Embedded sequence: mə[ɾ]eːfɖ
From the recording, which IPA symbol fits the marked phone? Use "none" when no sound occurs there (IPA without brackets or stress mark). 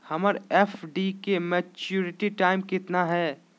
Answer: ɾ